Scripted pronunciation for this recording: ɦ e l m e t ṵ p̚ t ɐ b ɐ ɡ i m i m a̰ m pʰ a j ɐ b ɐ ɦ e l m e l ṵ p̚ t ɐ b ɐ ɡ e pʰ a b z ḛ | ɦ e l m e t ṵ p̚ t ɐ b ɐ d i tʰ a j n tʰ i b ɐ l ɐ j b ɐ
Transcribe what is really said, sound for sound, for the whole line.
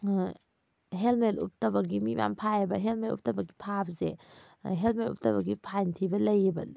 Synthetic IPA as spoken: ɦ e l m e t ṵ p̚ t ɐ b ɐ ɡ i m i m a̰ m pʰ a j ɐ b ɐ ɦ e l m e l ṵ p̚ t ɐ b ɐ ɡ i pʰ a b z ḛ | ɦ e l m e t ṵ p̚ t ɐ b ɐ ɡ i pʰ a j n tʰ i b ɐ l ɐ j b ɐ